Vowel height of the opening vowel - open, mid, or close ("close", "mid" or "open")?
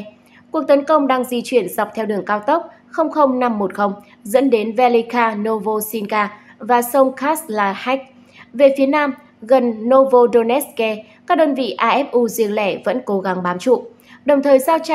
close